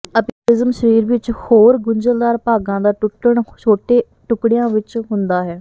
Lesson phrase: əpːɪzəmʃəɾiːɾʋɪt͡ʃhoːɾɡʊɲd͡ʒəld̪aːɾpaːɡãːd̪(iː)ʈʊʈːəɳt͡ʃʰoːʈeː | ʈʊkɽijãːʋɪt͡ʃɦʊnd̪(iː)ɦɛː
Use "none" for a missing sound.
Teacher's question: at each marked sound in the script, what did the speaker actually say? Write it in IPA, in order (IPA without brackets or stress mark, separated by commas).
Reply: aː, aː